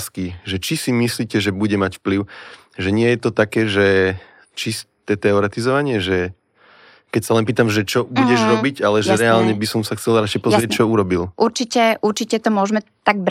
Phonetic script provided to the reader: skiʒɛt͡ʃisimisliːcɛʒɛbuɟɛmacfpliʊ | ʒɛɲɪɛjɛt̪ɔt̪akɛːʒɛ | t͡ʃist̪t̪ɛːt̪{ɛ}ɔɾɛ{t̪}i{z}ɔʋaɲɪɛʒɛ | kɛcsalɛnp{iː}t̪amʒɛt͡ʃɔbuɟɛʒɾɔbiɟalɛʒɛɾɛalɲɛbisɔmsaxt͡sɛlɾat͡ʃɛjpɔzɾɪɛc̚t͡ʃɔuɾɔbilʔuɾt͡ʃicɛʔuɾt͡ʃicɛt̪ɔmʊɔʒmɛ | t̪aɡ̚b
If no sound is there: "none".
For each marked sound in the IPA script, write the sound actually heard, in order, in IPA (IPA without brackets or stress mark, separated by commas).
ɛ, t̪, z, iː